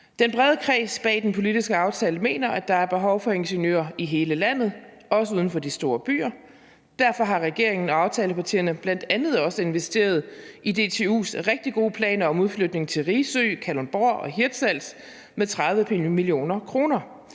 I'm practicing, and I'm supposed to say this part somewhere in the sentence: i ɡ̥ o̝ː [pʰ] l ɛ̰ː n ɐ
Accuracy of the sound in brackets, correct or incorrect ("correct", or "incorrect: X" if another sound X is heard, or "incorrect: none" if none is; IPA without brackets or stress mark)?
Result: correct